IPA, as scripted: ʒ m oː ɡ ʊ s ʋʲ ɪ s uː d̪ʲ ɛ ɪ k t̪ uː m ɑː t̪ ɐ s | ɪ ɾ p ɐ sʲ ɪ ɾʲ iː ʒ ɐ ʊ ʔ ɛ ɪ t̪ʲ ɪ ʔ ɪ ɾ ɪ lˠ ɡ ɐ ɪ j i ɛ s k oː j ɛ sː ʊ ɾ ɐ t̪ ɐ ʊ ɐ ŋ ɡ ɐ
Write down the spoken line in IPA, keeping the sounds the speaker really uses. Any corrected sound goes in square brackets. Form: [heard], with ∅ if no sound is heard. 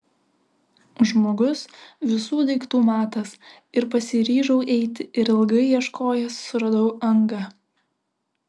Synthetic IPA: ʒ m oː ɡ ʊ s ʋʲ ɪ s uː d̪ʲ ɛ ɪ k t̪ uː m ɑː t̪ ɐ s | ɪ ɾ p ɐ sʲ ɪ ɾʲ iː ʒ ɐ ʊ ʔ ɛ ɪ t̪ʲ ɪ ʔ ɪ ɾ ɪ lˠ ɡ ɐ ɪ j i ɛ [ʃ] k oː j ɛ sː ʊ ɾ ɐ [d̪] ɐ ʊ ɐ ŋ ɡ ɐ